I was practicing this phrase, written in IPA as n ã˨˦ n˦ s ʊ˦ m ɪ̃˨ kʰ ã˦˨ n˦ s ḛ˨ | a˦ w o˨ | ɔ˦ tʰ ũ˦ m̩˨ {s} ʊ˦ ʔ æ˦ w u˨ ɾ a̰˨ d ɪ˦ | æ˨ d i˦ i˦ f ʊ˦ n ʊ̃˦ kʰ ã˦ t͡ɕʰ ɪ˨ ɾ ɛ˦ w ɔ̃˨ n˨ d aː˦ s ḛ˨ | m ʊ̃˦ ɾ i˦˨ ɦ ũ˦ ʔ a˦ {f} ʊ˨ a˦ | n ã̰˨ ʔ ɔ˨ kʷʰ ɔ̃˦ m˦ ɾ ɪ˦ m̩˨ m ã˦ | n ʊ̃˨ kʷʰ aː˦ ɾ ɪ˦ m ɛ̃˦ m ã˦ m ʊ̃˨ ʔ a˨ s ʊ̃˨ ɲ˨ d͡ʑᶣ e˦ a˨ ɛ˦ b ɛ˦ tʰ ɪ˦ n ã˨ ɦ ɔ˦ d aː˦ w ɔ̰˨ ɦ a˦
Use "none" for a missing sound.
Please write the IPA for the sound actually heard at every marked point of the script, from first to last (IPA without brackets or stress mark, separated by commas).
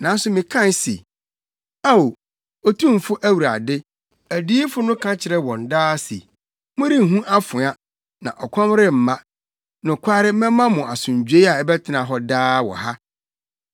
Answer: f, f